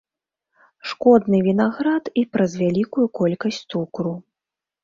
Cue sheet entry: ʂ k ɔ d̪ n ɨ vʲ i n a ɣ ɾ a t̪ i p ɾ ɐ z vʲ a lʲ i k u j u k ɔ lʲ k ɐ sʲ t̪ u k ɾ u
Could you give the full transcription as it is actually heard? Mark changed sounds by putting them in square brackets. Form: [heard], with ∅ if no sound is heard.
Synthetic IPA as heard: ʂ k ɔ d̪ n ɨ vʲ i n a ɣ ɾ a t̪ i p ɾ ɐ z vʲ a lʲ i k u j u k ɔ lʲ k ɐ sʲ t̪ u k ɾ u